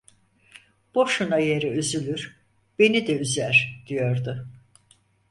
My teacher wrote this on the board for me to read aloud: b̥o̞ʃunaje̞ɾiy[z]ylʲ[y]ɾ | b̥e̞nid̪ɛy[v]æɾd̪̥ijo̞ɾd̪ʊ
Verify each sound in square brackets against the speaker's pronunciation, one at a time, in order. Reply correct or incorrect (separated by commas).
correct, correct, incorrect